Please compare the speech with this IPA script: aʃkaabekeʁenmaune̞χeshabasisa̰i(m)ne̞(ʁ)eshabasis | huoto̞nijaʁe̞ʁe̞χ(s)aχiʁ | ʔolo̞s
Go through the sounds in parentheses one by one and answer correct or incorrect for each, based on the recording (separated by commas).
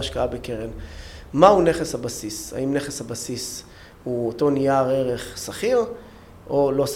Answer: correct, incorrect, correct